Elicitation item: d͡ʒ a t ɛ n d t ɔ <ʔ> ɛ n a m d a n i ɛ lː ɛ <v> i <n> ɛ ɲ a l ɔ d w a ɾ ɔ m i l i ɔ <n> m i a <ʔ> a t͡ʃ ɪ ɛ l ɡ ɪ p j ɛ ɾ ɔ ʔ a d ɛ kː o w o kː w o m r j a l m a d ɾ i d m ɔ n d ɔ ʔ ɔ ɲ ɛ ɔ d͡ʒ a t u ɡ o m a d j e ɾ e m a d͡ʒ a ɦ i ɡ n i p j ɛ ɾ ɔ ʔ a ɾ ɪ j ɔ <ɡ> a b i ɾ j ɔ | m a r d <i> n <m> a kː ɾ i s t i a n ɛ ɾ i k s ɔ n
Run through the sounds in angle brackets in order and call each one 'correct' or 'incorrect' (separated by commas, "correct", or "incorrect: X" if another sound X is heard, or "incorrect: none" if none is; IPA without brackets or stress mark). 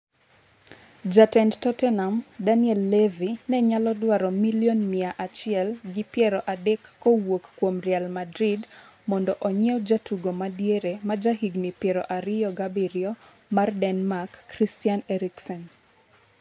incorrect: t, correct, correct, correct, correct, correct, incorrect: ɛ, correct